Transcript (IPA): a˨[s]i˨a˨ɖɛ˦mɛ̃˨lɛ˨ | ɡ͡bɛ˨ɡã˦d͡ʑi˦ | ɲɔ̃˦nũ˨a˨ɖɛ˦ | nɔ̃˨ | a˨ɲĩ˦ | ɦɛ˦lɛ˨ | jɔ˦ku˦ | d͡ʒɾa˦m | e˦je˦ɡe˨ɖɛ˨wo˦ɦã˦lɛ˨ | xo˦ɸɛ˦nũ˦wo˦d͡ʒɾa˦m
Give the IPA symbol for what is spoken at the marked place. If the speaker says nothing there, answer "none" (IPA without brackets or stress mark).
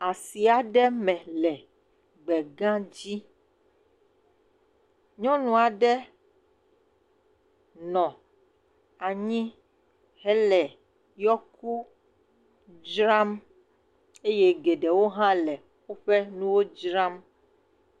s